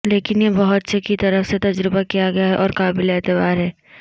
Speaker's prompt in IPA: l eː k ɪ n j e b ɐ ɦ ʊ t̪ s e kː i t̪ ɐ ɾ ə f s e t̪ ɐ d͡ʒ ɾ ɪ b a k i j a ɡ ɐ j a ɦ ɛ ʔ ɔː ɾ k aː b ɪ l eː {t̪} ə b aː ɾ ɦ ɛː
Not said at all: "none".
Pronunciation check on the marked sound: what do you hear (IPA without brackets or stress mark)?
t̪